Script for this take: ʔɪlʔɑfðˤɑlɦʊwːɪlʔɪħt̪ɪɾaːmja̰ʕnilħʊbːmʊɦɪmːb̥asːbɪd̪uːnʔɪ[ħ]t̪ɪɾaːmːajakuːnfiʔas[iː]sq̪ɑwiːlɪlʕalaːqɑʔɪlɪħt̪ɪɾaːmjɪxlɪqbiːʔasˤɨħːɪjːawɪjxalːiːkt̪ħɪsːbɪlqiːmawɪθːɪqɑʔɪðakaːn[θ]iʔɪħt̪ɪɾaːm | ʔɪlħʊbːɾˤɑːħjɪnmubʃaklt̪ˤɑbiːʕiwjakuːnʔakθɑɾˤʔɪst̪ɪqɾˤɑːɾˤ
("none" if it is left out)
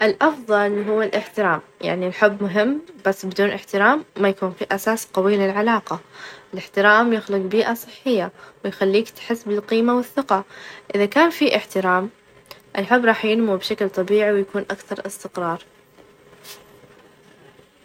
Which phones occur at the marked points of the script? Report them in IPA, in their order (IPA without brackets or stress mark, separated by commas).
ħ, aː, f